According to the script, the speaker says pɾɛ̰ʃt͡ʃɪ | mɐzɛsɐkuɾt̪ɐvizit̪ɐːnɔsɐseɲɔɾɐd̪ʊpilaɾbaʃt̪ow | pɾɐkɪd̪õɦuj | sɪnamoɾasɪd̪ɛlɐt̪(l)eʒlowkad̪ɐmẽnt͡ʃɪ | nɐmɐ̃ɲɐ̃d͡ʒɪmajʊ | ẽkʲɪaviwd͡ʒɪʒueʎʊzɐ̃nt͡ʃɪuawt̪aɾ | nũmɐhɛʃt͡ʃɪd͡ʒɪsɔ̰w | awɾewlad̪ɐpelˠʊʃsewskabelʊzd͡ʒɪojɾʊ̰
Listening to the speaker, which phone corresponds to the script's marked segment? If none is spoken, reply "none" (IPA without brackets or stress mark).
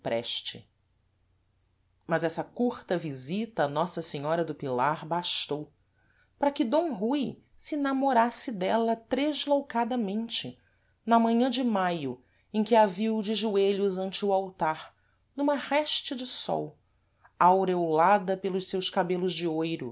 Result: ɾ